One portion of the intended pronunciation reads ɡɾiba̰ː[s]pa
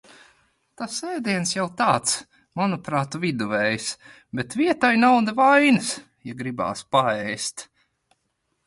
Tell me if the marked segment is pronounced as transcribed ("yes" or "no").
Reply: yes